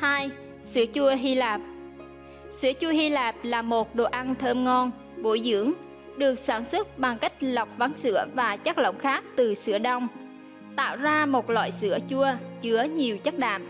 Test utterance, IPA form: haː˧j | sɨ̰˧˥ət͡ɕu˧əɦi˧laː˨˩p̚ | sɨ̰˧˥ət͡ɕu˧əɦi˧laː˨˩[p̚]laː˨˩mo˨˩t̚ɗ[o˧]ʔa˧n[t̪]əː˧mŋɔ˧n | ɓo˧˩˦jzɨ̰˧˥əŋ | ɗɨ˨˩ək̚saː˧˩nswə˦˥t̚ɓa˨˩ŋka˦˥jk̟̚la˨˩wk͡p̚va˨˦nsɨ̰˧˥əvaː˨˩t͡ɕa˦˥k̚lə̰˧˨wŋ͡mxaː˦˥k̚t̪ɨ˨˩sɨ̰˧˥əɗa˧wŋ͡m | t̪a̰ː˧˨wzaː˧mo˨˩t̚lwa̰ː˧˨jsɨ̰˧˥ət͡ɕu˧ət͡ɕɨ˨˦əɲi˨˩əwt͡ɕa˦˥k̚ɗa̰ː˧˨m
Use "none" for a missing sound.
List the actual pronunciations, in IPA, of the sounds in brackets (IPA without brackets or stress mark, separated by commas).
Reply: p̚, o˨˩, t̪ʰ